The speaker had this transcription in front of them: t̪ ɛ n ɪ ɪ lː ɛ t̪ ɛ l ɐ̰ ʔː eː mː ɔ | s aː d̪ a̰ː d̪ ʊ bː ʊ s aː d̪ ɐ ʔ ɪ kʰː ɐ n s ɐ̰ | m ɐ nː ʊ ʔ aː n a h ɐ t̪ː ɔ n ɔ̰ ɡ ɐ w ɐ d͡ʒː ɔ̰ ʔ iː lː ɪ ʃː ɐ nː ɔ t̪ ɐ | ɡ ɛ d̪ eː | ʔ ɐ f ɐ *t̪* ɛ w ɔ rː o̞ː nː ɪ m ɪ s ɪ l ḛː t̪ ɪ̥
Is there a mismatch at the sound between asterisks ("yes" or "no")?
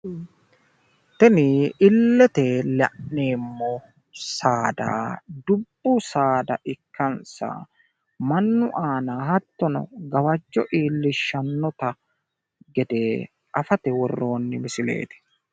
no